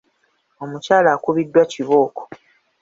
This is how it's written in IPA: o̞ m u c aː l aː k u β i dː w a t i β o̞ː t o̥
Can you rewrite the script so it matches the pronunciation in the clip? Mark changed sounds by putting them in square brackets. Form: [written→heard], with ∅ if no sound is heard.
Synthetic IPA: o̞ m u c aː l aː k u β i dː w a [t→c] i β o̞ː [t→k] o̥

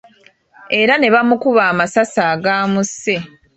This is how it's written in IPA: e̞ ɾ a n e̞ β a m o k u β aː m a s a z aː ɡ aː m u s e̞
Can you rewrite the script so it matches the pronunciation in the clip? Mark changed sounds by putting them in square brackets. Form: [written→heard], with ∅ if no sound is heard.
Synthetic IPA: e̞ ɾ a n e̞ β a m [o→u] k u β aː m a s a [z→s] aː ɡ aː m u s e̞

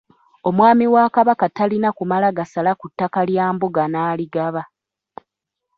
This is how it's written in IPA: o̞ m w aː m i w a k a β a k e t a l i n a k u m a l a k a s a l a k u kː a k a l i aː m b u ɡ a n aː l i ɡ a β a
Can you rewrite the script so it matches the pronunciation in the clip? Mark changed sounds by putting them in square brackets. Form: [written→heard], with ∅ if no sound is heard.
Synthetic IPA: o̞ m w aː m i w a k a β a k [e→a] t a l i n a k u m a l a [k→ɡ] a s a l a k u [kː→tː] a k a l [i→j] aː m b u ɡ a n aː l i ɡ a β a

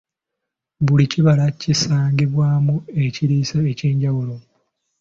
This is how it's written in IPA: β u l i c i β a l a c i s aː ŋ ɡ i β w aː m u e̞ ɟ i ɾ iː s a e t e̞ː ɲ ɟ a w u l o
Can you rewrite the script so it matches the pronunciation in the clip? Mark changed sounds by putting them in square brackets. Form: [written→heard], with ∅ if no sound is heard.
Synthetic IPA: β u l i c i β a l a c i s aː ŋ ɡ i β w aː m u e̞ [ɟ→c] i ɾ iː s a e [t→c] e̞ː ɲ ɟ a w u l o

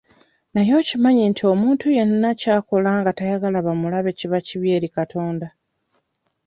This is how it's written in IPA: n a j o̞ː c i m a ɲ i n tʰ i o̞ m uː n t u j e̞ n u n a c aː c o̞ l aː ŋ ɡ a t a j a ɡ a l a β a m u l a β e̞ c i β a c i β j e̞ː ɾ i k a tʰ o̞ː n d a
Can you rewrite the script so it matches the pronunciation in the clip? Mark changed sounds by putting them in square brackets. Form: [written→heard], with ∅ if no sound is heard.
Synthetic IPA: n a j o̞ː c i m a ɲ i n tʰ i o̞ m uː n t u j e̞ n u n a c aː [c→k] o̞ l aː ŋ ɡ a t a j a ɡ a l a β a m u l a β e̞ c i β a c i β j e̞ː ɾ i k a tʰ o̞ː n d a

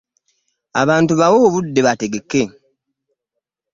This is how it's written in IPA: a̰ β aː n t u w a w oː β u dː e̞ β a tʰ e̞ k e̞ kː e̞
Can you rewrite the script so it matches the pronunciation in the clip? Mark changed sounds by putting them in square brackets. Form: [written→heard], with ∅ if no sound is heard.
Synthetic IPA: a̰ β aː n t u [w→β] a w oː β u dː e̞ β a [tʰ→t] e̞ [k→ɡ] e̞ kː e̞

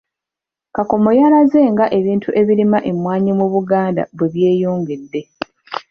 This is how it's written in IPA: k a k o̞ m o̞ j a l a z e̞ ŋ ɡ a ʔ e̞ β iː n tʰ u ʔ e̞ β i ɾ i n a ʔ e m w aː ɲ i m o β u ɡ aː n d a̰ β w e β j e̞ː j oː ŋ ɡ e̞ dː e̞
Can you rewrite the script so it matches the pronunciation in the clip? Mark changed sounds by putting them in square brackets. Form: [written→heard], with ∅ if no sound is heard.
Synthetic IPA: k a k o̞ m o̞ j a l a z e̞ ŋ ɡ a ʔ e̞ β iː n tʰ u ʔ e̞ β i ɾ i [n→m] a ʔ e m w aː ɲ i m [o→u] β u ɡ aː n d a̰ β w e β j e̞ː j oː ŋ ɡ e̞ dː e̞

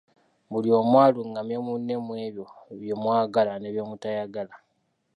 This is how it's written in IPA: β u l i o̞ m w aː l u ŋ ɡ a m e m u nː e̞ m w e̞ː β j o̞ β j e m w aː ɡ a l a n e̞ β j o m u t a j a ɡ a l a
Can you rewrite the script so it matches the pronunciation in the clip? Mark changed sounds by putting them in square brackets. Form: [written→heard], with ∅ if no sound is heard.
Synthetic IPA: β u l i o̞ m w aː l u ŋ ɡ a m e m u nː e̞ m w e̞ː β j o̞ β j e m w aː ɡ a l a n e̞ β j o m u t a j a ɡ a l a

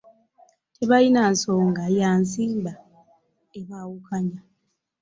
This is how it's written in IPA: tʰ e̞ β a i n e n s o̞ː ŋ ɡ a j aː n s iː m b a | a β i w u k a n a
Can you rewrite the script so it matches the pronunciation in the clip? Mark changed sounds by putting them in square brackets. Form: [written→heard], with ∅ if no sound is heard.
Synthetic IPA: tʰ e̞ β a i n [e→a] n s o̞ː ŋ ɡ a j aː n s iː m b a | [a→e] β [i→a] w u k a [n→ɲ] a

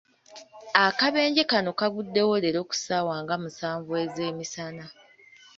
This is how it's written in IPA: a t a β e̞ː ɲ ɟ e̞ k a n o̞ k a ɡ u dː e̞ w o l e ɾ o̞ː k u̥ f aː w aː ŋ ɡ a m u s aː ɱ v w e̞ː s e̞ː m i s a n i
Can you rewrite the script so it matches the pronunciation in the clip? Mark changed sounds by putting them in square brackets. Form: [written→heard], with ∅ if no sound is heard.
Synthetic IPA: a [t→k] a β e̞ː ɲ ɟ e̞ k a n o̞ k a ɡ u dː e̞ w o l e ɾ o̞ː k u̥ [f→s] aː w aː ŋ ɡ a m u s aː ɱ v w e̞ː [s→z] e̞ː m i s a n [i→a]

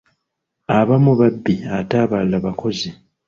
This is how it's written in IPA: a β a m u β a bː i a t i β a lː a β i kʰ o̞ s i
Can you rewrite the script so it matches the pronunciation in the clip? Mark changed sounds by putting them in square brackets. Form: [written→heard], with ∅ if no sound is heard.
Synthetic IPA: a β a m u β a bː i a t [i→a] β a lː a β [i→a] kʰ o̞ [s→z] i

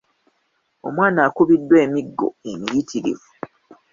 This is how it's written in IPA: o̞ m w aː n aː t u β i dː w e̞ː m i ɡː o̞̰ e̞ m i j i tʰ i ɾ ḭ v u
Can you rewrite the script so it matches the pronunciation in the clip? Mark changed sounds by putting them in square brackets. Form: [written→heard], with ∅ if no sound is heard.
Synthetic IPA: o̞ m w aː n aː [t→k] u β i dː w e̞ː m i ɡː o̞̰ e̞ m i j i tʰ i ɾ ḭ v u

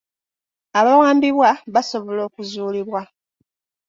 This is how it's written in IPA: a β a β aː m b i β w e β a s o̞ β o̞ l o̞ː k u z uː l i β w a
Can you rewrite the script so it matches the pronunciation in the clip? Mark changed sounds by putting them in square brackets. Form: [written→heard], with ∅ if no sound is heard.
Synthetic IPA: a β a [β→w] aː m b i β w [e→a] β a s o̞ β o̞ l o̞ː k u z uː l i β w a

